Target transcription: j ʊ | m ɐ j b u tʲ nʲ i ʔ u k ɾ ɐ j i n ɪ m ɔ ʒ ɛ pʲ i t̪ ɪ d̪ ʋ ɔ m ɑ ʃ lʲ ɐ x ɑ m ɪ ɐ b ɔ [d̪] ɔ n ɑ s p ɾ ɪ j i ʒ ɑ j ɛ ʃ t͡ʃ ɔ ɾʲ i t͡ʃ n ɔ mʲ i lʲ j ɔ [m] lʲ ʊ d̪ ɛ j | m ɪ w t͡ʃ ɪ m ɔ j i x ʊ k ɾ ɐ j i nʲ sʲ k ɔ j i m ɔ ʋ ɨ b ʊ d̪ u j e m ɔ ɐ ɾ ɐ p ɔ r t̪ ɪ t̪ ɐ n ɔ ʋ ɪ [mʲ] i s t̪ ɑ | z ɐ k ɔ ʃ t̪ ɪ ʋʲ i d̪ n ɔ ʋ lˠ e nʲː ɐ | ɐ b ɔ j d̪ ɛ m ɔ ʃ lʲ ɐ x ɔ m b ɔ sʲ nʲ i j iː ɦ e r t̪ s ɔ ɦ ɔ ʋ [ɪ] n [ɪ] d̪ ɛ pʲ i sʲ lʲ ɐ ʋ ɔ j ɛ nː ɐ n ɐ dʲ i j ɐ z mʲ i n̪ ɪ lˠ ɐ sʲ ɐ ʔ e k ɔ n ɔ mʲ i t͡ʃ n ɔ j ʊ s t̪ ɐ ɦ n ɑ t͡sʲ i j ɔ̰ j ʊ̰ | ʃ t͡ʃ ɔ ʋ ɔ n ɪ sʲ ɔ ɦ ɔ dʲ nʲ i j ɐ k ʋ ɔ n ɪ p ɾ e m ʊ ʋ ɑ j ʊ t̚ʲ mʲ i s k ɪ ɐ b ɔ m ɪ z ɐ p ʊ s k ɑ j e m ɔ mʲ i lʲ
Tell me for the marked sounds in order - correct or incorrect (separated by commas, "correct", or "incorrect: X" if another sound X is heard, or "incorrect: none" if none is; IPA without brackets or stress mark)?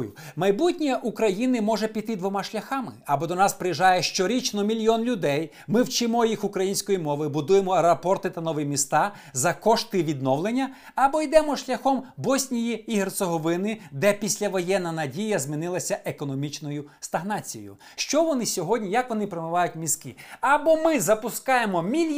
correct, incorrect: n, correct, correct, correct